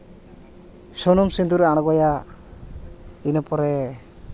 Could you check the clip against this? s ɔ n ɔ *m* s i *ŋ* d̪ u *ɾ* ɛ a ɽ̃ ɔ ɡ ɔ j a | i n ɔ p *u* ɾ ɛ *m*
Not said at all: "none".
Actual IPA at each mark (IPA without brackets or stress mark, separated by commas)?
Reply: m, n, ɾ, ɔ, none